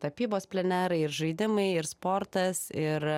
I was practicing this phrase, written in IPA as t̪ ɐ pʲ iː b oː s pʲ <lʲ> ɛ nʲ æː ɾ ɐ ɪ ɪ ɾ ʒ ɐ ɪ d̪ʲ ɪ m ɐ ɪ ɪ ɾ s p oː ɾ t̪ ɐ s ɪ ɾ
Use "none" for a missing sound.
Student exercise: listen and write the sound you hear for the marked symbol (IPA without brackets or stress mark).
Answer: lʲ